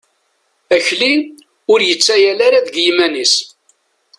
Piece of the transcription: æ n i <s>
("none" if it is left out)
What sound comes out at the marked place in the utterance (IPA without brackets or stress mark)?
s